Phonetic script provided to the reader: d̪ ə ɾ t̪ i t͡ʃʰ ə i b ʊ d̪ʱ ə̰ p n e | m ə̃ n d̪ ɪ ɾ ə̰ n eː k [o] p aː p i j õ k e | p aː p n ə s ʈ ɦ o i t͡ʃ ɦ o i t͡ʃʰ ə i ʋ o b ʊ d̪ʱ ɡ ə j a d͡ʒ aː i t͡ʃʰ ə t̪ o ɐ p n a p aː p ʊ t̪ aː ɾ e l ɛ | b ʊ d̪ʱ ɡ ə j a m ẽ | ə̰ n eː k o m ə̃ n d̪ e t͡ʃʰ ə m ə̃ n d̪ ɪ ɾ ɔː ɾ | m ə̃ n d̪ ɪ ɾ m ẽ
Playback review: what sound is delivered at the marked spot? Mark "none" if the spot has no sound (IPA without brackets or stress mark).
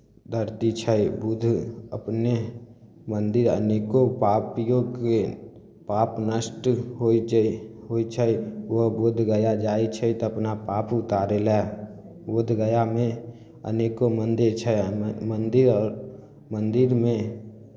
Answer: o